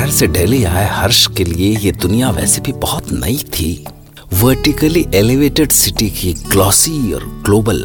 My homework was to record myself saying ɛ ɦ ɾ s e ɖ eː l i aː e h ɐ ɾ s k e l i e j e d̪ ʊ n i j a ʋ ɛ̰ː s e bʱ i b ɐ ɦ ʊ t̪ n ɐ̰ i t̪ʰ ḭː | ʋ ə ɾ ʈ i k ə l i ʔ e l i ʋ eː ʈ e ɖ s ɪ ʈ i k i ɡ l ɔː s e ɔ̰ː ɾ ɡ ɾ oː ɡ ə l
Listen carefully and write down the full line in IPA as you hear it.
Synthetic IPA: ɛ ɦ ɾ s e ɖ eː l i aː e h ɐ ɾ ʃ k e l i e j e d̪ ʊ n i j a ʋ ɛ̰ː s e bʱ i b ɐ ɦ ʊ t̪ n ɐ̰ i t̪ʰ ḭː | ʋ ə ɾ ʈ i k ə l i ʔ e l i ʋ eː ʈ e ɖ s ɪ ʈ i k i ɡ l ɔː s i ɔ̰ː ɾ ɡ l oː b ə l